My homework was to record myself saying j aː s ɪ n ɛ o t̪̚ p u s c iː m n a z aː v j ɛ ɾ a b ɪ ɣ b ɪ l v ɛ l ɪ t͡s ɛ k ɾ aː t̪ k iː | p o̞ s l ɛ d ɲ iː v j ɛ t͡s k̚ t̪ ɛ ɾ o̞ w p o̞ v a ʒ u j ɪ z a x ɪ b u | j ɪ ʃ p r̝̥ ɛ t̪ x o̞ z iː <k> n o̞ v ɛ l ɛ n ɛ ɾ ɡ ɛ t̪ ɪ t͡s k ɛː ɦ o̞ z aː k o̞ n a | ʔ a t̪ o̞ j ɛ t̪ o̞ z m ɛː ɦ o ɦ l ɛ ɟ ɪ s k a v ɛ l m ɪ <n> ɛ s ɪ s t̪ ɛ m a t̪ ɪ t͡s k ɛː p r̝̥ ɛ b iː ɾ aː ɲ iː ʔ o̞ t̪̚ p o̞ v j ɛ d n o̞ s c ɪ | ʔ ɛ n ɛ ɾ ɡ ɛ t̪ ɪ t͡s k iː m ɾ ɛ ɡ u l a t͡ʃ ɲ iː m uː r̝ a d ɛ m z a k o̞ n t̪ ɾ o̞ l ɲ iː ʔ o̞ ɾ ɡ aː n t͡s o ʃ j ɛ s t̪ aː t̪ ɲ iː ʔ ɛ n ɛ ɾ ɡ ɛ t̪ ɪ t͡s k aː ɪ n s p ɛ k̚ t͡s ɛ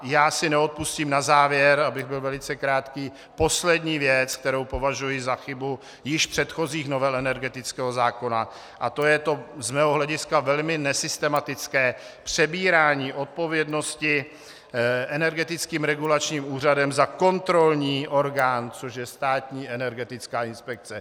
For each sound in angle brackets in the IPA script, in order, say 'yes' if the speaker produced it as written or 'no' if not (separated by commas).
no, yes